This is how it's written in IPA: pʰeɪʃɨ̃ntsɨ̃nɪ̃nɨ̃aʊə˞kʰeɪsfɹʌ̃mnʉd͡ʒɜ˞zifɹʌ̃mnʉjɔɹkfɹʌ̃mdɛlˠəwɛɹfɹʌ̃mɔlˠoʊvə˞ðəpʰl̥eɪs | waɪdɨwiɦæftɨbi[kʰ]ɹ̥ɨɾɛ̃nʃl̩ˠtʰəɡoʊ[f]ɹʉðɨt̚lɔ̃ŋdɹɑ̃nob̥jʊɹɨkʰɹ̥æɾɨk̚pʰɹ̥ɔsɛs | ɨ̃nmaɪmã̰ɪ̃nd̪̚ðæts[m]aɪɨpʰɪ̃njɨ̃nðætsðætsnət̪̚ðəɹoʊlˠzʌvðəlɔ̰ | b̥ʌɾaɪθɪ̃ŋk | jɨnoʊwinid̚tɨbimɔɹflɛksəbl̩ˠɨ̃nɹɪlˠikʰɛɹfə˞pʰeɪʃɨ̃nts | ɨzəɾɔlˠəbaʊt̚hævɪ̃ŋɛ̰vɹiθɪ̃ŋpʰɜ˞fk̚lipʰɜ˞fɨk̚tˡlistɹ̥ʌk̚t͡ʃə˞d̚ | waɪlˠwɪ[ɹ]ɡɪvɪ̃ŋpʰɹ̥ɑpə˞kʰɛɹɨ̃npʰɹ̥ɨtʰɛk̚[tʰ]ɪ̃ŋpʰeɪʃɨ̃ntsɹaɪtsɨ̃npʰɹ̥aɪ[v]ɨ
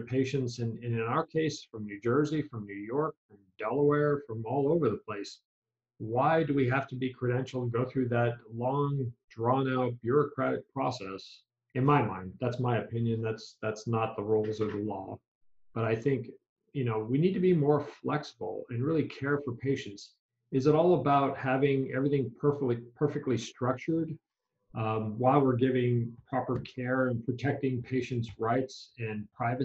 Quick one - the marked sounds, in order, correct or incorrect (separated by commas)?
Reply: correct, incorrect, correct, correct, incorrect, correct